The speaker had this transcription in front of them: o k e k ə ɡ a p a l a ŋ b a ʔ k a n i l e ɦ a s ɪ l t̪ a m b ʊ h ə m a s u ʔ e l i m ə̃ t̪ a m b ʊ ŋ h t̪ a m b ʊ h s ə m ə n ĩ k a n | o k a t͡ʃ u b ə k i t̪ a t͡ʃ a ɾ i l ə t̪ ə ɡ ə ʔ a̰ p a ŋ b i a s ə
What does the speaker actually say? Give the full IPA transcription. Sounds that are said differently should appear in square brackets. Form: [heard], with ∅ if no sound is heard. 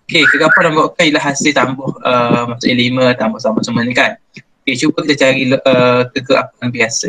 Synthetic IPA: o k e k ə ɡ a p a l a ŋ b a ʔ k a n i l [a] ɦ a s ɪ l t̪ a m b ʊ h ə m a s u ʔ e l i m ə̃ t̪ a m b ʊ [∅] h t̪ a m b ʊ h s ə m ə n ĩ k a n | o k [e] t͡ʃ u b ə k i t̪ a t͡ʃ a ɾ i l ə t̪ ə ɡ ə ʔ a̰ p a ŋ b i a s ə

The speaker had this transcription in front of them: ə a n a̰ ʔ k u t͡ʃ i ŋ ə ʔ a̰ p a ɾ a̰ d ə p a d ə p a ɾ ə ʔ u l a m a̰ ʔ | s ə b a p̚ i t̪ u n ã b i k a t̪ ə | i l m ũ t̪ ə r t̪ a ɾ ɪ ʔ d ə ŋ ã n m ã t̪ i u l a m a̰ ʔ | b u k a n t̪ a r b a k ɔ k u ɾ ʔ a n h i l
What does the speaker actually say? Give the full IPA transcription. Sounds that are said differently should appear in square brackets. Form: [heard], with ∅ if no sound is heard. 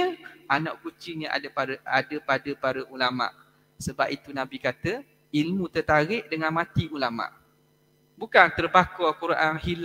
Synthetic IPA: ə a n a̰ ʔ k u t͡ʃ i [ɲ] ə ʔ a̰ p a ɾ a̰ d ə p a d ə p a ɾ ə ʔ u l a m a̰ ʔ | s ə b a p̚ i t̪ u n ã b i k a t̪ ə | i l m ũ t̪ ə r t̪ a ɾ ɪ ʔ d ə ŋ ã n m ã t̪ i u l a m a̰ ʔ | b u k a n t̪ [ə] r b a k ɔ k u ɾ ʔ a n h i l

